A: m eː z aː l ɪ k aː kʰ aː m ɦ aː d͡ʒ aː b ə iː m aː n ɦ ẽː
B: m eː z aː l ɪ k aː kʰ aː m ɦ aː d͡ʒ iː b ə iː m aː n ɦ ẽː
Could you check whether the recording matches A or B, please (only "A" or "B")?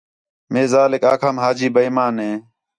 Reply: B